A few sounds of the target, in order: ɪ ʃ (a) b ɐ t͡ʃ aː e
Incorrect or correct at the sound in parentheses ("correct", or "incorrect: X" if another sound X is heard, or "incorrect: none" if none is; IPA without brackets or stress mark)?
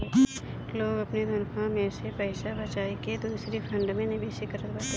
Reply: correct